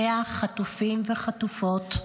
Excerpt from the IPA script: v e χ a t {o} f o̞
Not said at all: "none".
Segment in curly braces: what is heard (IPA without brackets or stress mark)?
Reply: u